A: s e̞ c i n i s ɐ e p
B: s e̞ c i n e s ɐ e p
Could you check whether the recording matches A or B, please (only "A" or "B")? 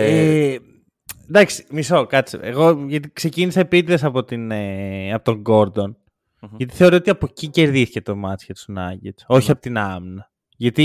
A